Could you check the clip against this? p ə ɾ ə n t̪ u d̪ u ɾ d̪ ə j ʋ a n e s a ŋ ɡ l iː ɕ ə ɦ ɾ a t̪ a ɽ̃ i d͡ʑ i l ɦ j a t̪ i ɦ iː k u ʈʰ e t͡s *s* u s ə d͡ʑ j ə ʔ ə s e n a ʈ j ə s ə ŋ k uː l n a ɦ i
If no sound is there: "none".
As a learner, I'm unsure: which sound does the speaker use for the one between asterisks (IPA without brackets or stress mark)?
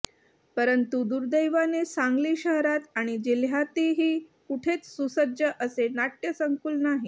s